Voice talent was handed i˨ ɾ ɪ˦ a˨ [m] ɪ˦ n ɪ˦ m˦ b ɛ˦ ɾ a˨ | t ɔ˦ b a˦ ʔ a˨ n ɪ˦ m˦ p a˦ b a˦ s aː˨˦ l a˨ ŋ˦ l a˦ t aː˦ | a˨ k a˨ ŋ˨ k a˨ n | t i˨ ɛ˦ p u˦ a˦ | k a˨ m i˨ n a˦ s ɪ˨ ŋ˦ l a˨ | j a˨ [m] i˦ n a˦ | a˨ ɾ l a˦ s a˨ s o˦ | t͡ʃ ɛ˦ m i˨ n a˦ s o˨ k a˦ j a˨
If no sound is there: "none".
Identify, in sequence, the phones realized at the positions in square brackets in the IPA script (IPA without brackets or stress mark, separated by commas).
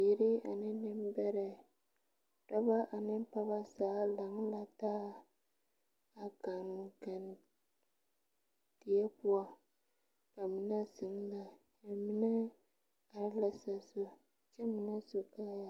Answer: n, m